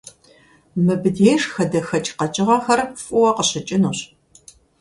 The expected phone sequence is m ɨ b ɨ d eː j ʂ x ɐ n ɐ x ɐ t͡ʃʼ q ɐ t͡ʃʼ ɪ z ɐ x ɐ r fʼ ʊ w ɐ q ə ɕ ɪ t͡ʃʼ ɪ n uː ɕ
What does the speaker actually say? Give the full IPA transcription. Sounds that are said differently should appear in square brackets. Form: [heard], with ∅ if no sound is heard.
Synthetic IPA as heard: m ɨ b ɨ d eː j ʂ x ɐ [d] ɐ x ɐ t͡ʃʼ q ɐ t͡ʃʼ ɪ [ʁ] ɐ x ɐ r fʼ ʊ w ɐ q ə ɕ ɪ t͡ʃʼ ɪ n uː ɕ